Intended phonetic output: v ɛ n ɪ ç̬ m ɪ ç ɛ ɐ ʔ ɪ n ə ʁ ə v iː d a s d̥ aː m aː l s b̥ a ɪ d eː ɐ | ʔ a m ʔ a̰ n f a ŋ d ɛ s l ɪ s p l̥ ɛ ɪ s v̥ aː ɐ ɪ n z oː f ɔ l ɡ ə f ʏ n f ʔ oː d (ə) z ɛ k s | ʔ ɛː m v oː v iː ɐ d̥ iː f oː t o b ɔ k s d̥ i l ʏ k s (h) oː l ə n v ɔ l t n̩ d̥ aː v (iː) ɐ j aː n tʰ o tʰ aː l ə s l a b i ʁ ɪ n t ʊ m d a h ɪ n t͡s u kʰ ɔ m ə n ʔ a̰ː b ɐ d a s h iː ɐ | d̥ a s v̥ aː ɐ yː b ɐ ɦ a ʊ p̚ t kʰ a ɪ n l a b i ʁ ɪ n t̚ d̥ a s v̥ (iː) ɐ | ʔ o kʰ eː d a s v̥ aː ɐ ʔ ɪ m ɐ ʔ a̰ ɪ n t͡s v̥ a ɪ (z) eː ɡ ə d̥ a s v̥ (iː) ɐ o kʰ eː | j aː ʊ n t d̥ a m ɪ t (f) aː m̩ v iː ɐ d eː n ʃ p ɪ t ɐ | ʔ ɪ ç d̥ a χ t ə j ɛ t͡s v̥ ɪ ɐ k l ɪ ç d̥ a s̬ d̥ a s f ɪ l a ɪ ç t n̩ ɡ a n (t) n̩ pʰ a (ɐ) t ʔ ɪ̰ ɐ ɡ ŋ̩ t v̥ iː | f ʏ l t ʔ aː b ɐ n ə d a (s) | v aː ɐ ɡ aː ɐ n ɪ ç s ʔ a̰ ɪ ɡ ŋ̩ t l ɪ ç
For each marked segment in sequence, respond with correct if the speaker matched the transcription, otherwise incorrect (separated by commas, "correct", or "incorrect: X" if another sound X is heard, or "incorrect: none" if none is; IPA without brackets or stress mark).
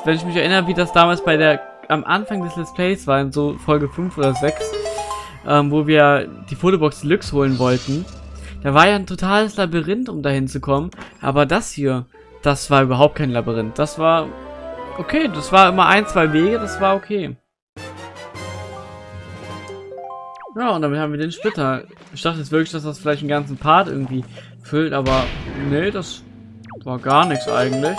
incorrect: ɐ, correct, incorrect: aː, incorrect: aː, incorrect: v, incorrect: aː, incorrect: h, incorrect: t͡s, correct, correct